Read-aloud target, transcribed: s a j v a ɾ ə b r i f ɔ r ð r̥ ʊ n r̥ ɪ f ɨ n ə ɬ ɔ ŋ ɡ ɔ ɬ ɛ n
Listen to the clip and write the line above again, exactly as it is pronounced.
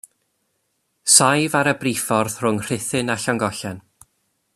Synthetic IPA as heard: s a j v a ɾ ə b r i f ɔ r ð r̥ ʊ ŋ r̥ ɪ θ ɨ n a ɬ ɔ ŋ ɡ ɔ ɬ ɛ n